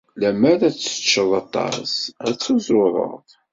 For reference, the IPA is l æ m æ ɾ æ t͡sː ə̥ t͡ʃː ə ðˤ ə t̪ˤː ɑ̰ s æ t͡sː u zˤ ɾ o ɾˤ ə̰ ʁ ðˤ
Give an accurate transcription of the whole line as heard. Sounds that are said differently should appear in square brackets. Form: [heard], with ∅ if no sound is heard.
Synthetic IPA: l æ m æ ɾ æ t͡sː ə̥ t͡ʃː ə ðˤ [ɑ] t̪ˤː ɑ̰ s æ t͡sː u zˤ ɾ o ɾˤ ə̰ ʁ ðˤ

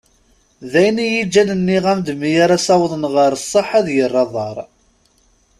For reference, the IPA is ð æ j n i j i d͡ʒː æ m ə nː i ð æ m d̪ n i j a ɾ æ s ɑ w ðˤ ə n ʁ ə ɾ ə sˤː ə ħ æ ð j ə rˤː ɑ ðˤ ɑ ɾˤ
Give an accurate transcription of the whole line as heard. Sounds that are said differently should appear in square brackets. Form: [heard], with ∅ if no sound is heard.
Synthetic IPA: ð æ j n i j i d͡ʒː æ [n] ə nː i [ʁ] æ m d̪ [m] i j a ɾ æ s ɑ w ðˤ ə n ʁ ə ɾ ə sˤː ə ħ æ ð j ə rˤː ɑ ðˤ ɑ ɾˤ

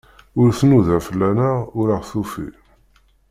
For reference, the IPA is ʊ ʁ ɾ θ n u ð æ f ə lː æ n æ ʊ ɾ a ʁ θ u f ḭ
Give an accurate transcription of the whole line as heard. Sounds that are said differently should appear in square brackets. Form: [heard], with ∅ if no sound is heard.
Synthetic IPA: ʊ [∅] ɾ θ n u ð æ f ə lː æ n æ ʊ ɾ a ʁ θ u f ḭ

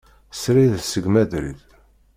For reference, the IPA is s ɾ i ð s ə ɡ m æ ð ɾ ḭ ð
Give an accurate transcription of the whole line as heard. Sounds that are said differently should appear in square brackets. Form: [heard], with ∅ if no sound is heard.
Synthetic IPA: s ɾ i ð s ə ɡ m æ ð ɾ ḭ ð

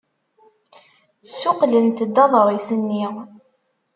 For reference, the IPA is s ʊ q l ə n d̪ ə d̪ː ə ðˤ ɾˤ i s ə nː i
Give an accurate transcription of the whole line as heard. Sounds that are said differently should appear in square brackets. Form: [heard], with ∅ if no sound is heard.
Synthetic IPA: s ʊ q l ə n [t̪] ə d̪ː [ɑ] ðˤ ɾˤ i s ə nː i

